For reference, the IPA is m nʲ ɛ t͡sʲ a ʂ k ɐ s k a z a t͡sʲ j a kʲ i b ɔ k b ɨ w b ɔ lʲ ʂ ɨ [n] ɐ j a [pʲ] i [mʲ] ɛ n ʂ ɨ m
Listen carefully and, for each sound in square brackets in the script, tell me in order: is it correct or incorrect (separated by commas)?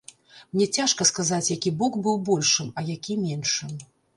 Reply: incorrect, incorrect, correct